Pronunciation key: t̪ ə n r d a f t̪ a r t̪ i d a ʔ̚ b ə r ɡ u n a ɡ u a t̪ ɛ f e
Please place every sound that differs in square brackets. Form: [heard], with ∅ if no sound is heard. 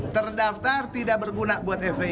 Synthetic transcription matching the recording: t̪ ə [∅] r d a f t̪ a r t̪ i d a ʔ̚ b ə r ɡ u n a [b] u a t̪ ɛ f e